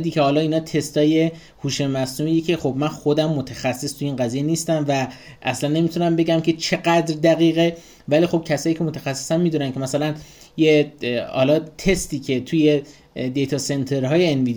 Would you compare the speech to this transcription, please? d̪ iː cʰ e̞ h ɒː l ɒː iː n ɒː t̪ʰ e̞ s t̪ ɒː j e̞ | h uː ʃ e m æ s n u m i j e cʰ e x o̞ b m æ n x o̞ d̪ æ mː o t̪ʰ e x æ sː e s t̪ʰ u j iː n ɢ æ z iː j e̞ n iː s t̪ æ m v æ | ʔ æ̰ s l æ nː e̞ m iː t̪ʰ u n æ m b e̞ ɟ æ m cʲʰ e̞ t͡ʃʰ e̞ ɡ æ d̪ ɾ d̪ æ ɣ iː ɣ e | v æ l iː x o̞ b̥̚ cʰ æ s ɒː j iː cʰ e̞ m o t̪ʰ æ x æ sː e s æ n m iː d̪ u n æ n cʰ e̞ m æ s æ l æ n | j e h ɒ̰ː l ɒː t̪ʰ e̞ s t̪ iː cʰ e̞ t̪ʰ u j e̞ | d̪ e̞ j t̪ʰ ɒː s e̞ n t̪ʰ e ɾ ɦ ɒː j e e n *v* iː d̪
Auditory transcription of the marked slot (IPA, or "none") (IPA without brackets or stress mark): v